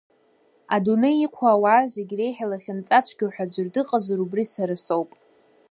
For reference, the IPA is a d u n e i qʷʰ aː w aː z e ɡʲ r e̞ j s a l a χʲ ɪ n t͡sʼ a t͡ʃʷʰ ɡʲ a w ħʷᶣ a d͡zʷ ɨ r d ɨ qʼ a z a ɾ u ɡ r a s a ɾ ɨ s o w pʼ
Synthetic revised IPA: a d u n e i qʷʰ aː w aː z e ɡʲ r e̞ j ħ a l a χʲ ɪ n t͡sʼ a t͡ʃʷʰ ɡʲ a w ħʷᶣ a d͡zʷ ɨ r d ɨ qʼ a z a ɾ u b r i s a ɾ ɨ s o w pʼ

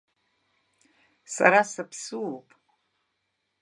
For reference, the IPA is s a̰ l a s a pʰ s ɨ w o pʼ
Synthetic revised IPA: s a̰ ɾ a s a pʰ s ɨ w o pʼ

